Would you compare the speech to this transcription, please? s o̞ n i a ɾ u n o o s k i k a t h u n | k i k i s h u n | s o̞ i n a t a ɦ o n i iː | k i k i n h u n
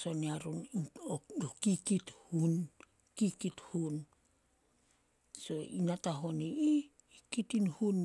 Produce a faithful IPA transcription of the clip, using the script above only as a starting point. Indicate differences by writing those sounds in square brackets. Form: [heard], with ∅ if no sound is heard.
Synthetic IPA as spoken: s o̞ n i a ɾ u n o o [∅] k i k [i] t h u n | k i k i [t] h u n | s o̞ i n a t a ɦ o n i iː | k i [t] i n h u n